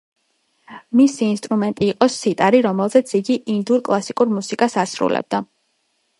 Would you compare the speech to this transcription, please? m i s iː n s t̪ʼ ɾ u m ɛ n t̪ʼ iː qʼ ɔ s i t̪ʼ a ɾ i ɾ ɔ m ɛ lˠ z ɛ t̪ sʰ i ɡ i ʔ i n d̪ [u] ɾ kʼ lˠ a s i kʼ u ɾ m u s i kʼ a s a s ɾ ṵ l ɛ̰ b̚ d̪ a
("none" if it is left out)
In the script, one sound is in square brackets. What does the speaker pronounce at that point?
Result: u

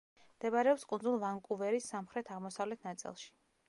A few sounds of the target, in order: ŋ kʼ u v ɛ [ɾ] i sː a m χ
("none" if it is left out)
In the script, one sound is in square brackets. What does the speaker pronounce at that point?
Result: ɾ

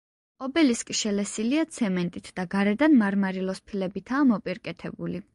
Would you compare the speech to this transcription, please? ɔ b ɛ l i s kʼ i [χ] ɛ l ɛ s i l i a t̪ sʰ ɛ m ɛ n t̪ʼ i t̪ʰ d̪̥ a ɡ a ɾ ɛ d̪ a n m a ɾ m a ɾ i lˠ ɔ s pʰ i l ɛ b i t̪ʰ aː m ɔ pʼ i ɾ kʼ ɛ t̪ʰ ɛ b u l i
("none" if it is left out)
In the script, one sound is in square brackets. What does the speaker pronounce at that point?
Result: ʃ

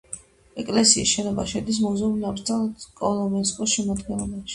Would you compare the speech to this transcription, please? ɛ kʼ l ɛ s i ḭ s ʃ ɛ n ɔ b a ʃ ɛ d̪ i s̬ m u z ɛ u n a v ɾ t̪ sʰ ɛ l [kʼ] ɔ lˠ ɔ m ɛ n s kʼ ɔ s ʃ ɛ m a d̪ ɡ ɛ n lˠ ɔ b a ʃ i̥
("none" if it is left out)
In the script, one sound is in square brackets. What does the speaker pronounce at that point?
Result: kʼ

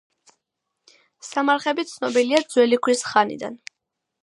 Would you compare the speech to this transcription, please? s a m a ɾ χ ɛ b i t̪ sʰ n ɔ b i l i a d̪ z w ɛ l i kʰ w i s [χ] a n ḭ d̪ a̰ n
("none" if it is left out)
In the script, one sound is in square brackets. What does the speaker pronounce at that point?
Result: χ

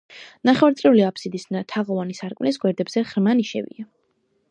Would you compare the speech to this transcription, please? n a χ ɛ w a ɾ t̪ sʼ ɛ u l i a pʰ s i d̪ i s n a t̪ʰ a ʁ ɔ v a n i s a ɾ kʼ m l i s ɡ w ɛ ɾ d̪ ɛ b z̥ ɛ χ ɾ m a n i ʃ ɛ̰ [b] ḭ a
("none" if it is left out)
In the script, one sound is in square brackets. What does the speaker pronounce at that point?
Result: v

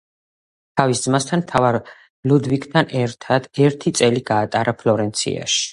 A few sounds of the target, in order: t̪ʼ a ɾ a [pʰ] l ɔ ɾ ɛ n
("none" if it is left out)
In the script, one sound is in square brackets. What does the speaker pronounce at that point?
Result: pʰ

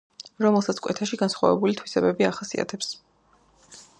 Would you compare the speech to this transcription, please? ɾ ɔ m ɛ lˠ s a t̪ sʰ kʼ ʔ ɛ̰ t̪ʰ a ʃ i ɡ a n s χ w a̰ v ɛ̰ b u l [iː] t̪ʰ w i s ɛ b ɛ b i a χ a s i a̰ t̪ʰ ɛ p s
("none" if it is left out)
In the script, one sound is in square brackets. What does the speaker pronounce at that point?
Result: i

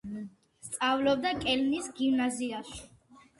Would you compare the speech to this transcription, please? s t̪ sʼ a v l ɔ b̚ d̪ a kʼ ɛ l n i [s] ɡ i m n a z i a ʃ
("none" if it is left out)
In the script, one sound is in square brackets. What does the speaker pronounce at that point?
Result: s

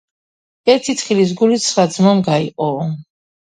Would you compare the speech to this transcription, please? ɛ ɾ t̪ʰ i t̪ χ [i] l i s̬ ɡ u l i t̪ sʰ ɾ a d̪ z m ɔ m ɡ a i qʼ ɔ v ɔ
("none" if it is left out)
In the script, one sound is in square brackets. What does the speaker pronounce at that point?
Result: i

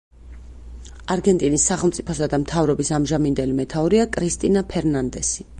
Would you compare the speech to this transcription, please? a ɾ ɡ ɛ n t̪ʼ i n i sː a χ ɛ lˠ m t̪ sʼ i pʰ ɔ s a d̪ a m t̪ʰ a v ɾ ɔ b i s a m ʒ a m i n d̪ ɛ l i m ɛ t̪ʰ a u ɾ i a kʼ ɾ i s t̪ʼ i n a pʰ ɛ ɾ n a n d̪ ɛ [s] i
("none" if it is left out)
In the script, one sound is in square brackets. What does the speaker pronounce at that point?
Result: s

